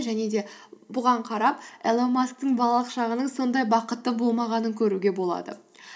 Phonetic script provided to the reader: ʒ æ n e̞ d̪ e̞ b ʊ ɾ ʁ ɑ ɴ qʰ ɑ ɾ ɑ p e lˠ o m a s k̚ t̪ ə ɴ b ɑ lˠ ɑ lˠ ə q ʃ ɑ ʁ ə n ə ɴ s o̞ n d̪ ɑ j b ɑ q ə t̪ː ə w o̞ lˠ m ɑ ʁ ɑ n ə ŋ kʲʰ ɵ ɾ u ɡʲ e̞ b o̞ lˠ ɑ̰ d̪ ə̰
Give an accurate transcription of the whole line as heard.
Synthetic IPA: ʒ æ n e̞ d̪ e̞ b ʊ ʁ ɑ ɴ qʰ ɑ ɾ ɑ p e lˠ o m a s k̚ t̪ ə ɴ b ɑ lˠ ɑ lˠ ə q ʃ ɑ ʁ ə n ə ɴ s o̞ n d̪ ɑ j b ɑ q ə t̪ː ə b o̞ lˠ m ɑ ʁ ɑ n ə ŋ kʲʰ ɵ ɾ u ɡʲ e̞ b o̞ lˠ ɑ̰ d̪ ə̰